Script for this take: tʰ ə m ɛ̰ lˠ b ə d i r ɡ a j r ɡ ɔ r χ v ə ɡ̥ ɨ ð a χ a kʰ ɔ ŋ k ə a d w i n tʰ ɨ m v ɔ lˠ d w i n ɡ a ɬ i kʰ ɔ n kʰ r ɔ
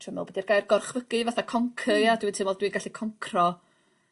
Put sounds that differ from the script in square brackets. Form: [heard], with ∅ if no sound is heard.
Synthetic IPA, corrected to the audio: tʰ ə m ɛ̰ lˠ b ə d i r ɡ a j r ɡ ɔ r χ v ə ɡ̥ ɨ [v] a [θ] a kʰ ɔ ŋ [kʰ] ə a d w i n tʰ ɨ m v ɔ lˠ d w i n ɡ a ɬ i kʰ ɔ [ŋ] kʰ r ɔ